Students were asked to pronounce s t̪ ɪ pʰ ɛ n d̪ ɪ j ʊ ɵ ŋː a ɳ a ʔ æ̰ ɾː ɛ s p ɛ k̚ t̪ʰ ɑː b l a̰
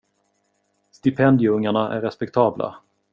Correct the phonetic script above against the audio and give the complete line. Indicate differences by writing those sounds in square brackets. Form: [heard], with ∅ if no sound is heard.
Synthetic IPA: s t̪ ɪ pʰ ɛ n d̪ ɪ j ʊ ɵ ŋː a ɳ a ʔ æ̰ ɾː ɛ s p ɛ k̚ t̪ʰ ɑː b l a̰